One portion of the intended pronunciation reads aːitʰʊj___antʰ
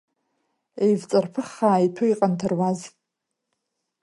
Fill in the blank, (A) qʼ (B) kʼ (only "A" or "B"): A